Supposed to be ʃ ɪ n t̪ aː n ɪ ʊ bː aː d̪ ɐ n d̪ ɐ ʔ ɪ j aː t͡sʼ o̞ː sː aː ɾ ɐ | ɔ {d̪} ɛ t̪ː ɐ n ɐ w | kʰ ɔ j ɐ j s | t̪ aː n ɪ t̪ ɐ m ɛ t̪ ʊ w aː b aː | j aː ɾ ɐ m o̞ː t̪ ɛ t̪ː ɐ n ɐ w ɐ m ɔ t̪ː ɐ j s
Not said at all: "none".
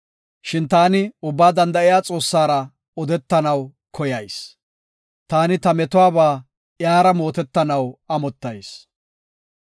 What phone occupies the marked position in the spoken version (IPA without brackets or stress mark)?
d̪